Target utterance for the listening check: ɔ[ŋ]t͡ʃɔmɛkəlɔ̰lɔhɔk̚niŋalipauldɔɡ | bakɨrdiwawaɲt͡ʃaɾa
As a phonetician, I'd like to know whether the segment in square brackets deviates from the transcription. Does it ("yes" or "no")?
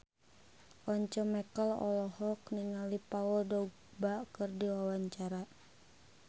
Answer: yes